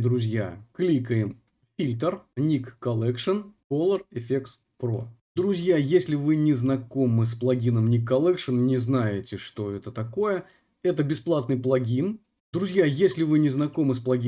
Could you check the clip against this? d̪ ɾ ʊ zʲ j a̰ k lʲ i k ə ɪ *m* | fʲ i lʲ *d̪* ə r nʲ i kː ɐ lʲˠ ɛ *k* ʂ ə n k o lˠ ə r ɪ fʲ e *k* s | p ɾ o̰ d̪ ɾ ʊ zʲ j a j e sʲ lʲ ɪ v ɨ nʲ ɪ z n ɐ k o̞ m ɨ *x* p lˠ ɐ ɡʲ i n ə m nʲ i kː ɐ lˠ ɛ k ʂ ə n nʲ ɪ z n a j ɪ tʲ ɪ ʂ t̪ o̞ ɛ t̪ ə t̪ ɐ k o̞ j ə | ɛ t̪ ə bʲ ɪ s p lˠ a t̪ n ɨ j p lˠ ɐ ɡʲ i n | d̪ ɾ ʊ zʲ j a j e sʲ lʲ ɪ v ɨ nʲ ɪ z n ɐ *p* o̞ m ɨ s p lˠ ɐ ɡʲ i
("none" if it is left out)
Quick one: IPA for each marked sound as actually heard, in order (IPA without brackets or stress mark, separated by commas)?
m, t̪, k, k, s, k